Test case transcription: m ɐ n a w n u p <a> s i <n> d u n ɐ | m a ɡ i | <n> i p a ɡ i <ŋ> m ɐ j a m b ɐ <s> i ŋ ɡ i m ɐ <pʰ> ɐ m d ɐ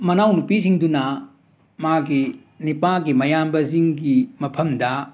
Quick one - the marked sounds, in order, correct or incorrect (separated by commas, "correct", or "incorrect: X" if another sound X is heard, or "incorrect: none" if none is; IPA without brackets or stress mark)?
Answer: incorrect: i, incorrect: ŋ, correct, incorrect: none, incorrect: z, correct